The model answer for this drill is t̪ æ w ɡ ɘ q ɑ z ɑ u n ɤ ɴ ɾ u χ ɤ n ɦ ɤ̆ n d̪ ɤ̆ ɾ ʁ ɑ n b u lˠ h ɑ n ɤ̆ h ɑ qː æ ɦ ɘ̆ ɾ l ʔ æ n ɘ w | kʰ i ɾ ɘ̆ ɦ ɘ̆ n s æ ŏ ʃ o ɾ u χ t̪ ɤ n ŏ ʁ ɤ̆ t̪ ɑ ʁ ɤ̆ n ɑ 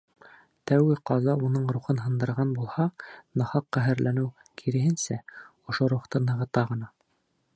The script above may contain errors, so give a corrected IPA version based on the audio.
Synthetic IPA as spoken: t̪ æ w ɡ ɘ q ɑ z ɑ u n ɤ ɴ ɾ u χ ɤ n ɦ ɤ̆ n d̪ ɤ̆ ɾ ʁ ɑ n b u lˠ h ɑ n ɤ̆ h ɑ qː æ ɦ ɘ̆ ɾ l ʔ æ n ɘ w | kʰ i ɾ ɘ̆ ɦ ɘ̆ n s æ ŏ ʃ o ɾ u χ t̪ ɤ n ɤ̆ ʁ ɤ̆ t̪ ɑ ʁ ɤ̆ n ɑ